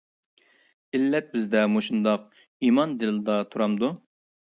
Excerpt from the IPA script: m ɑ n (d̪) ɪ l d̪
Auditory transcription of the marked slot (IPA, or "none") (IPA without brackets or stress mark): d̪